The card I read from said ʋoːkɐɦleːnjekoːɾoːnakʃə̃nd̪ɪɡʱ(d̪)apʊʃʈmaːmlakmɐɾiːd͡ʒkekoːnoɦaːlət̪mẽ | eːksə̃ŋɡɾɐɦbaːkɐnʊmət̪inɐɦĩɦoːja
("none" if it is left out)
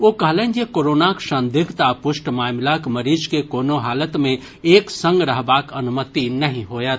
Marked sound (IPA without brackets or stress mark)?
t̪